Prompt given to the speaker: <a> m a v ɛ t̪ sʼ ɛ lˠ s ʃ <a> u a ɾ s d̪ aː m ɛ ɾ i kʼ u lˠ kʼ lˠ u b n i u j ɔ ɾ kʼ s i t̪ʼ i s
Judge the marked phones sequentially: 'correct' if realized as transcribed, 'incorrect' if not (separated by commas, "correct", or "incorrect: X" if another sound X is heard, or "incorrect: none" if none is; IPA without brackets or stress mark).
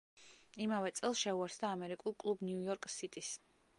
incorrect: i, incorrect: ɛ